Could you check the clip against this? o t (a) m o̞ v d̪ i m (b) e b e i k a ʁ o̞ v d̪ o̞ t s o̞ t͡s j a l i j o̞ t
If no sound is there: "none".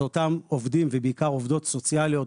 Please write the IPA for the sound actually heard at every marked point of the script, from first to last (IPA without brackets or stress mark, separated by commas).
a, v